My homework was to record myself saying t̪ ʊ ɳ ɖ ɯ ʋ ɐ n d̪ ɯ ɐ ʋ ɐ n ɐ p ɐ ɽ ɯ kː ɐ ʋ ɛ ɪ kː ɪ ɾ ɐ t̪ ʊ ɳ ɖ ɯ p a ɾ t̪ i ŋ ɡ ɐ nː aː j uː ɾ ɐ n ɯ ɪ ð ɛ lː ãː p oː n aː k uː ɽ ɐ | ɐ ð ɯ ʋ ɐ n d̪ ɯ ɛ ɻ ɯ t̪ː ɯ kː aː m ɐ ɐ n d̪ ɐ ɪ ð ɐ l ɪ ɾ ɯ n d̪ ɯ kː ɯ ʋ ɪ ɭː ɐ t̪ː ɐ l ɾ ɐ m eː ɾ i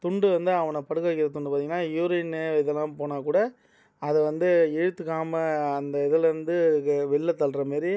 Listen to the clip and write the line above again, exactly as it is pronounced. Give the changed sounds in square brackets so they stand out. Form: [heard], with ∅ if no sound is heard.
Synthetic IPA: t̪ ʊ ɳ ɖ ɯ ʋ ɐ n d̪ ɯ ɐ ʋ ɐ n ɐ p ɐ ɽ ɯ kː ɐ ʋ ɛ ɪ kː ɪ ɾ ɐ t̪ ʊ ɳ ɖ ɯ p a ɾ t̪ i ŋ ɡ ɐ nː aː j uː ɾ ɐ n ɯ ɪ ð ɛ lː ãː p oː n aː k uː ɽ ɐ | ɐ ð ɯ ʋ ɐ n d̪ ɯ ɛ ɻ ɯ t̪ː ɯ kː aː m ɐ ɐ n d̪ ɐ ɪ ð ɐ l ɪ ɾ ɯ n d̪ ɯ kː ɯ ʋ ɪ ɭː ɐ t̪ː ɐ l ɾ ɐ m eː ɾ i